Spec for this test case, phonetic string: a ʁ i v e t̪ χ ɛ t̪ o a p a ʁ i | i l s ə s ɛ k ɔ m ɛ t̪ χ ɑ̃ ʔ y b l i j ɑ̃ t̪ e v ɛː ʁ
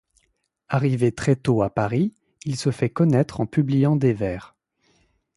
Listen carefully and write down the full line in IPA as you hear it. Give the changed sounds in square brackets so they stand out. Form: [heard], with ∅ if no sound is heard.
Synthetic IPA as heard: a ʁ i v e t̪ χ ɛ t̪ o a p a ʁ i | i l s ə [f] ɛ k ɔ [n] ɛ t̪ χ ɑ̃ [p] y b l i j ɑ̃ [d̪] e v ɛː ʁ